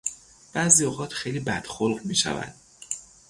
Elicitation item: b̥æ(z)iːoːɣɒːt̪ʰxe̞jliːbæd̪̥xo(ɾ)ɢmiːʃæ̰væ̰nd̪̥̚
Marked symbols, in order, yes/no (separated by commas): yes, no